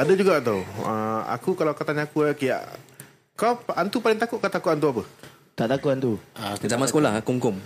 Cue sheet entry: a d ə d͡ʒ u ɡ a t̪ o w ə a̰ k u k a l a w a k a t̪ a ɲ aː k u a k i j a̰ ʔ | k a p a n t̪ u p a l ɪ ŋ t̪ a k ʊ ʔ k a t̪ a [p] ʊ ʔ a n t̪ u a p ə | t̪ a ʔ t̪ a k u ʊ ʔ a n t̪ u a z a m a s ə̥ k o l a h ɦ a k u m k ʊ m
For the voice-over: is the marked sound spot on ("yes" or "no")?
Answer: no